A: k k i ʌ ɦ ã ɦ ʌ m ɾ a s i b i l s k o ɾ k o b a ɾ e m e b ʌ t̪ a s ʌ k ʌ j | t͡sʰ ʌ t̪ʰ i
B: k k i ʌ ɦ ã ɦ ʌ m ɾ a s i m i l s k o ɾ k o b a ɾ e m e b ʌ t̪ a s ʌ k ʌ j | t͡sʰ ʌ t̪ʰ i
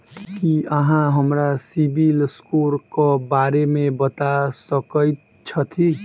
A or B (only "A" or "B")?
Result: A